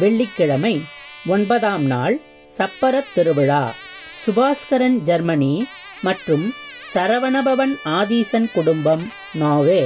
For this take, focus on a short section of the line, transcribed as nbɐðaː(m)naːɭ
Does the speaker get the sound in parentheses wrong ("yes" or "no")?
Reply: no